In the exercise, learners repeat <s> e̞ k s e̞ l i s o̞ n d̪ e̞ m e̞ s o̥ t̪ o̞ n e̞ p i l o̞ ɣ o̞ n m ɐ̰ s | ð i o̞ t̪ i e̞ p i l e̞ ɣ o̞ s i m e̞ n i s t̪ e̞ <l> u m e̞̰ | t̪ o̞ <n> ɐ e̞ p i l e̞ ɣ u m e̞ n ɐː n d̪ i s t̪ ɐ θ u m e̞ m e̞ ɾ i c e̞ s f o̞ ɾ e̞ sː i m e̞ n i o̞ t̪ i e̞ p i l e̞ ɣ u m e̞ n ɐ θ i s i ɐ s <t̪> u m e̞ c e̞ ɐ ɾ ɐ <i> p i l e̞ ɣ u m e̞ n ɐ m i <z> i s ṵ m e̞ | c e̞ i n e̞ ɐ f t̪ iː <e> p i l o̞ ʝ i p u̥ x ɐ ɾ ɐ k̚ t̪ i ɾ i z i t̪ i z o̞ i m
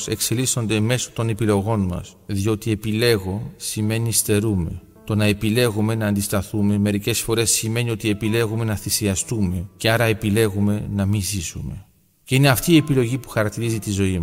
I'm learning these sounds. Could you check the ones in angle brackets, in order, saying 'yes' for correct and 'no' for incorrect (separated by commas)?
yes, no, yes, yes, no, yes, yes